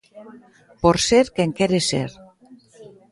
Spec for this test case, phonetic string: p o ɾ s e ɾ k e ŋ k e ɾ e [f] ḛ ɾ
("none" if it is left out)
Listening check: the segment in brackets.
s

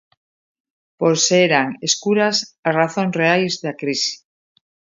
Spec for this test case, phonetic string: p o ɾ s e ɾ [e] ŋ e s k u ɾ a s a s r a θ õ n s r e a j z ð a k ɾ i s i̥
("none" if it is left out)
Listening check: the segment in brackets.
a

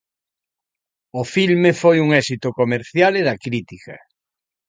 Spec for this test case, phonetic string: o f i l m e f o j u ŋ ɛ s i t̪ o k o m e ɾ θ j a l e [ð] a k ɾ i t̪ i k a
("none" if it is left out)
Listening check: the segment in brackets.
ð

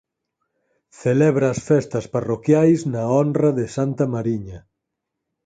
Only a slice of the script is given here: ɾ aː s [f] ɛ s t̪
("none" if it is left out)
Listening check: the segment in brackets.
f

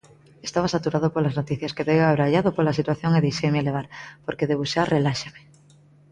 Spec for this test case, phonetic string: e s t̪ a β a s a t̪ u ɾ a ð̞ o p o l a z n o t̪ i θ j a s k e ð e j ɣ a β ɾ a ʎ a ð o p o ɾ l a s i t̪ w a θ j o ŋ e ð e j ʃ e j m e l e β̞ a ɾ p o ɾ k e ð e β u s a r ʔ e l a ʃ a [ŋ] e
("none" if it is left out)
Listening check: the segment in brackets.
m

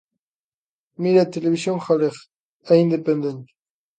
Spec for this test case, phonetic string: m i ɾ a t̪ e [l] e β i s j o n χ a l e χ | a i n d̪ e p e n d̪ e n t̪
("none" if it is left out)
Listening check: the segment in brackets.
l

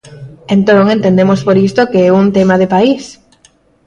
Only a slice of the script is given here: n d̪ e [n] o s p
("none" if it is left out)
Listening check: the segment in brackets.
m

